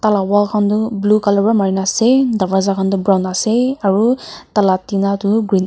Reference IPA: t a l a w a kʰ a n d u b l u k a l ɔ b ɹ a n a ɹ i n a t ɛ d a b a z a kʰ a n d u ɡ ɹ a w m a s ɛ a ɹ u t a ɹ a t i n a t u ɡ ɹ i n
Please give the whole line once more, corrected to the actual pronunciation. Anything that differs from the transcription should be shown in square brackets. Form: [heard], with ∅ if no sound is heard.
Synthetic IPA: t a l a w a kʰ a n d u b l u k a l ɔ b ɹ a [m] a ɹ i n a [s] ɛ d a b a z a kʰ a n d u [b] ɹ a w [n] a s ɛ a ɹ u t a [l] a t i n a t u ɡ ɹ i n

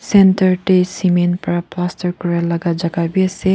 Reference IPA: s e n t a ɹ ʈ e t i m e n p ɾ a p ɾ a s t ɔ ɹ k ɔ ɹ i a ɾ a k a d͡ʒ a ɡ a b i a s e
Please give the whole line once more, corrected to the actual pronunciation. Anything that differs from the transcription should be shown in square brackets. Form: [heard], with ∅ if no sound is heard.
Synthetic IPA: s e n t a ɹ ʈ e [s] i m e n p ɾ a p [l] a s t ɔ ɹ k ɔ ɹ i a [l] a [ɡ] a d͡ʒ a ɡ a b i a s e

